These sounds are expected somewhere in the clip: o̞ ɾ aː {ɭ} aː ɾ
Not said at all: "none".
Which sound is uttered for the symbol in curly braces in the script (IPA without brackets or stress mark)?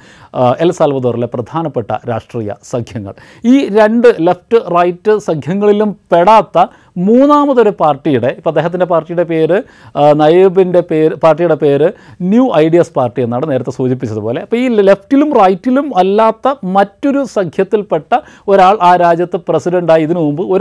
ɭ